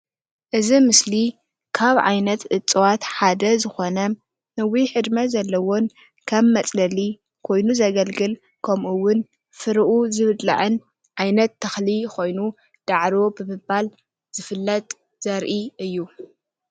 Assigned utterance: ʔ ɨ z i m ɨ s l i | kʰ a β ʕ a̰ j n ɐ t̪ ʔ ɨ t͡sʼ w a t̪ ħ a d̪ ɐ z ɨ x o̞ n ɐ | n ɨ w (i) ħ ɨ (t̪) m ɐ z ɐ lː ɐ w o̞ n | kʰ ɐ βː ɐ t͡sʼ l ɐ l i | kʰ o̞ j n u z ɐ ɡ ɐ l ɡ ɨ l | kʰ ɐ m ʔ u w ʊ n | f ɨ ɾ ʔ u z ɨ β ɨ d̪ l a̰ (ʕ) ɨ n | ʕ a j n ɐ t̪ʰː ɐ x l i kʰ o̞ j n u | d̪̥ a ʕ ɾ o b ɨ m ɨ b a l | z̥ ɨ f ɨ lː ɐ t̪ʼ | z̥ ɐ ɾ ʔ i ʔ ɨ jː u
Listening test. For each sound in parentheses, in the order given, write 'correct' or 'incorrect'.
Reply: correct, incorrect: d̪, correct

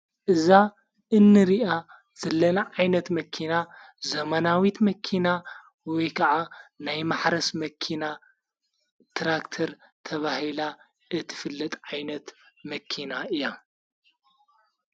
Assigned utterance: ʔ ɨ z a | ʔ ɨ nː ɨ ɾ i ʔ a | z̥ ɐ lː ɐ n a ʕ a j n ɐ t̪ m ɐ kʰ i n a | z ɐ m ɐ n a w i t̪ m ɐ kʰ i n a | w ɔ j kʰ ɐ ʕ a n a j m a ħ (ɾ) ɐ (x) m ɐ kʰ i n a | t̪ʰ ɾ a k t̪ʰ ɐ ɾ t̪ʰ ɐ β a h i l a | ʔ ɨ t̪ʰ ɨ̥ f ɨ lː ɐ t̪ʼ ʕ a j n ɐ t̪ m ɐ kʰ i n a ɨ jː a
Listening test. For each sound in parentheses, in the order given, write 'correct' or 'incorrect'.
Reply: correct, incorrect: s

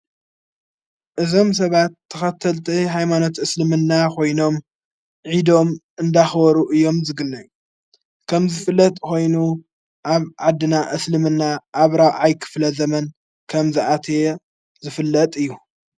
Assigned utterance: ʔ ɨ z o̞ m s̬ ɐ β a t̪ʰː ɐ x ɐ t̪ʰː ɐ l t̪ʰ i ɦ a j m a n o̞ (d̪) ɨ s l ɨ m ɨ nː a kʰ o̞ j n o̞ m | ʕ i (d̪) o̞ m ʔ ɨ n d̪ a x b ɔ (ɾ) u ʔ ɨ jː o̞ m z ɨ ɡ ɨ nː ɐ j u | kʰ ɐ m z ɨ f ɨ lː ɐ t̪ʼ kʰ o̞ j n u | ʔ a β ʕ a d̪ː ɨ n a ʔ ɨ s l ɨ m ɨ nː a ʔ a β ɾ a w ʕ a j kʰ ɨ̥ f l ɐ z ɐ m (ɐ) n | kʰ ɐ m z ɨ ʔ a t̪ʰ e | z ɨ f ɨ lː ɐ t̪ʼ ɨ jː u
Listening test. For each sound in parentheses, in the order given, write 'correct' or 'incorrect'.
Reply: incorrect: t̪, correct, correct, correct

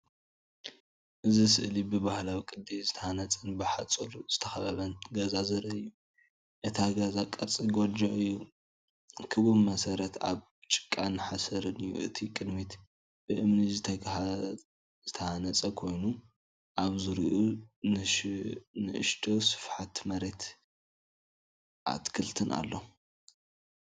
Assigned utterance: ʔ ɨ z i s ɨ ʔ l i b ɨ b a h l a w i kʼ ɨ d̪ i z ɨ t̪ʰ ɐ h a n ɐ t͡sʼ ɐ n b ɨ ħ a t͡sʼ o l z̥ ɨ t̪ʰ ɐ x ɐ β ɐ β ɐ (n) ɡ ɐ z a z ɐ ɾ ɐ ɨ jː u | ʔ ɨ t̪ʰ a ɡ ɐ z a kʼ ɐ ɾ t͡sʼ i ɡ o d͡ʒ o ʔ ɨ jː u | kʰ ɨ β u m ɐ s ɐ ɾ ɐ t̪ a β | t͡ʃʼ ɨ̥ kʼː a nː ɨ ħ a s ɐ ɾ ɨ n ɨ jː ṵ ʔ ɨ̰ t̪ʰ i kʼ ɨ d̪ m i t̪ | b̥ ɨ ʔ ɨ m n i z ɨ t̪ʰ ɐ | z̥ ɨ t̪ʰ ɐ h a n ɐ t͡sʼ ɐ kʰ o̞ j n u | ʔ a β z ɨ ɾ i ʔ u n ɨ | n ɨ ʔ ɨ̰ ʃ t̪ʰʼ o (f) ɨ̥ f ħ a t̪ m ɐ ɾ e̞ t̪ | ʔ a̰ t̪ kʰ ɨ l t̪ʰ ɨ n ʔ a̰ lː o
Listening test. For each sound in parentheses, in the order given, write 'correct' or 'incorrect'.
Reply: correct, incorrect: s

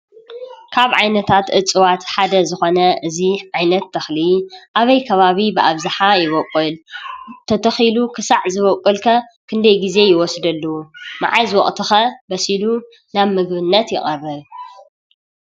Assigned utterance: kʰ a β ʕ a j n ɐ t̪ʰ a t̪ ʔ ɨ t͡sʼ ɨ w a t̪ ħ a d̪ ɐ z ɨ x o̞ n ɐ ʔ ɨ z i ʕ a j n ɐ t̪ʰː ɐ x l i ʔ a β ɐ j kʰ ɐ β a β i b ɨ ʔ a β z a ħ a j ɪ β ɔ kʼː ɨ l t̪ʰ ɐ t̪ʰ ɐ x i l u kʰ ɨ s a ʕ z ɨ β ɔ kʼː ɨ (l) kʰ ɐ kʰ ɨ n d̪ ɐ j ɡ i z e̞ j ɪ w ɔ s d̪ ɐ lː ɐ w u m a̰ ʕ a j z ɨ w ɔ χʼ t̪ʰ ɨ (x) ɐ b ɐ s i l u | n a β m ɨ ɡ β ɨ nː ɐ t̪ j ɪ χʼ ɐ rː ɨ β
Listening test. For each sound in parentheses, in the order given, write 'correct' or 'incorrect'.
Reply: correct, correct

